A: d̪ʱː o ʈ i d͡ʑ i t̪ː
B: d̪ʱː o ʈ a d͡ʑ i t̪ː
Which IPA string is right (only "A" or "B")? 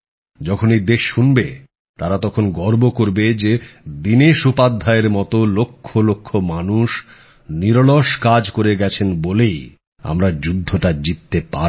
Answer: B